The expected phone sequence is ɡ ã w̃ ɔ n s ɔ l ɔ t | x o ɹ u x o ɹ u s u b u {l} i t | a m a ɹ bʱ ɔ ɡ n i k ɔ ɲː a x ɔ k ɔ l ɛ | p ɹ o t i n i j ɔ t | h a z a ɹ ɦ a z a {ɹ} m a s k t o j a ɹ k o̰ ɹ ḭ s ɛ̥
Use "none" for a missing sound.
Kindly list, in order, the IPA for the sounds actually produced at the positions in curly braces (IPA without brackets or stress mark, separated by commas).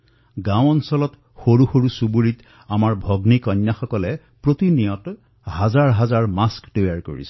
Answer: ɹ, ɹ